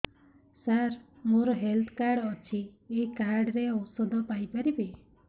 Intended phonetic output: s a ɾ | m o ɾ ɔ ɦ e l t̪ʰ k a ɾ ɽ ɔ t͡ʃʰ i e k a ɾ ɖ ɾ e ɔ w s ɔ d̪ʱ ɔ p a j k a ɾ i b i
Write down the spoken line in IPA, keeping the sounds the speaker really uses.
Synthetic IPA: s a ɾ | m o ɾ ɔ ɦ e l t̪ʰ k a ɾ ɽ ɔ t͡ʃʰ i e k a ɾ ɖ ɾ e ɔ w s ɔ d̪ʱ ɔ p a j p a ɾ i b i